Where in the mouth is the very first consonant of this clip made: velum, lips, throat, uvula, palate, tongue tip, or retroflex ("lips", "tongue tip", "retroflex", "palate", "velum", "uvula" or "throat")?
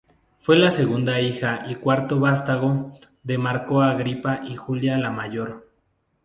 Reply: lips